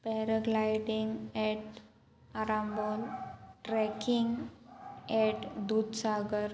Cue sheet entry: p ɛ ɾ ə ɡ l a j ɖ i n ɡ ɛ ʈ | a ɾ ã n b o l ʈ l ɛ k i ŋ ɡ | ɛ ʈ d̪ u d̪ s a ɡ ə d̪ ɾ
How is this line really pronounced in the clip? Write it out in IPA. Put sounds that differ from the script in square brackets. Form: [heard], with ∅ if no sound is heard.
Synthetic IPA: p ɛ ɾ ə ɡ l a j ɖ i [ŋ] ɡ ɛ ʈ | a ɾ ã [m] b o l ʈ [ɾ] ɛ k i ŋ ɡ | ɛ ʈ d̪ u d̪ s a ɡ ə [∅] ɾ